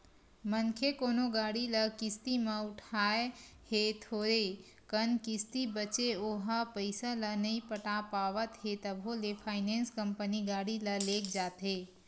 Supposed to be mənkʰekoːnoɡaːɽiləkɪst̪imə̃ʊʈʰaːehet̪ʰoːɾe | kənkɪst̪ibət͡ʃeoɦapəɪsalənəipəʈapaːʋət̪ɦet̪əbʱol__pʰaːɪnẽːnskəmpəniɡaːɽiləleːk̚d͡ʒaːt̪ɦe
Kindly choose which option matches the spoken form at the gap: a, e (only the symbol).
e